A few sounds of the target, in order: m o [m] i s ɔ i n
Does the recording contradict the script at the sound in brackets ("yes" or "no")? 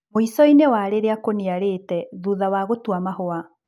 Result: yes